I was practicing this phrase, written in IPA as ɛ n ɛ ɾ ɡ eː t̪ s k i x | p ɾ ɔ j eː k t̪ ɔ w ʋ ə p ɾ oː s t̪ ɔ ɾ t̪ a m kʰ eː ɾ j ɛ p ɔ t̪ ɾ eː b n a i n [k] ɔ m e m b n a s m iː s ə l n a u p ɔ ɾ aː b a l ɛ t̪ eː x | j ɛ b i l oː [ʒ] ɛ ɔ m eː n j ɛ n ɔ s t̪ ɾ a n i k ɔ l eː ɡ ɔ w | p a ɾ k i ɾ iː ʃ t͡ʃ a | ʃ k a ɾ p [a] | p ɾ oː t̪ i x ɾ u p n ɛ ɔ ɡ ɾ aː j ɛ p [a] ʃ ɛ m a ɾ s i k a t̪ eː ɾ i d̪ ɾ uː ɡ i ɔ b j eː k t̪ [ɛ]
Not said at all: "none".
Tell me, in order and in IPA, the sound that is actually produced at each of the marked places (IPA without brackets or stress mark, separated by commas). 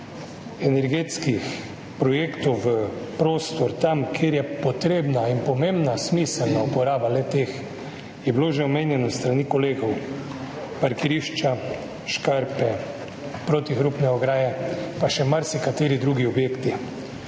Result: p, ʒ, ɛ, a, i